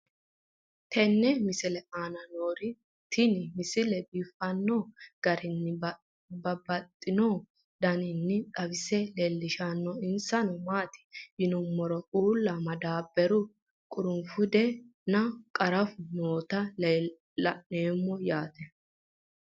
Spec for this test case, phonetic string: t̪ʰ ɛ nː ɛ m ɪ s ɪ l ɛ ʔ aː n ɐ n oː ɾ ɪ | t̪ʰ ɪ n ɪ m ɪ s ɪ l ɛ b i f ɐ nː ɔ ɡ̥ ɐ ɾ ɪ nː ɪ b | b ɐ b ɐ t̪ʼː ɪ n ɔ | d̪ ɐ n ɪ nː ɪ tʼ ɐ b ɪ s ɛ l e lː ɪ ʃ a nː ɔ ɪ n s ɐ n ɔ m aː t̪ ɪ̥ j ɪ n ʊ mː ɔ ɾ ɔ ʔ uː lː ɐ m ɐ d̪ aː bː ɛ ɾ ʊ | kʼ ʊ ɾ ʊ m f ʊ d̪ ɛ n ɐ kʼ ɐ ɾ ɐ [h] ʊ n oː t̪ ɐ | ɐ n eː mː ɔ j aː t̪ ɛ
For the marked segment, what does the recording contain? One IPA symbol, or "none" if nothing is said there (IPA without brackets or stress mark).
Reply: f